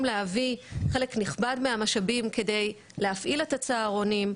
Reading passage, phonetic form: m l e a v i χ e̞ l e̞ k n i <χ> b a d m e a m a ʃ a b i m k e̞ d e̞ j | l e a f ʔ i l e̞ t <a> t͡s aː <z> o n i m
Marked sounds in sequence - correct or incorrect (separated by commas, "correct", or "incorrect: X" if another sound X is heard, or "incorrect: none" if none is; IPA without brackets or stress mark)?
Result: correct, correct, incorrect: ʁ